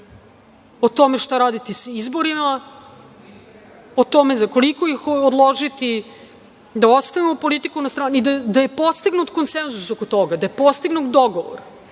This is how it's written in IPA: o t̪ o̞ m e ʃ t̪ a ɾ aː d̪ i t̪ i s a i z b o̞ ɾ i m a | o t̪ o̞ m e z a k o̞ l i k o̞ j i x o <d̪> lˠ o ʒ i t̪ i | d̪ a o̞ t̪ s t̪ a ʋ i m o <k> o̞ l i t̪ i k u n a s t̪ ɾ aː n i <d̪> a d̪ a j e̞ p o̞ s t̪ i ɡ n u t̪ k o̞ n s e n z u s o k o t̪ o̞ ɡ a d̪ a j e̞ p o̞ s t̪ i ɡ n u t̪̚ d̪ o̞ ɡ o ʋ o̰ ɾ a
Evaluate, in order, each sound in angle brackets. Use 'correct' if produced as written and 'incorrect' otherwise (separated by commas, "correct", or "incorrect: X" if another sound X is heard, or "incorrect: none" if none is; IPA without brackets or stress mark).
correct, incorrect: p, correct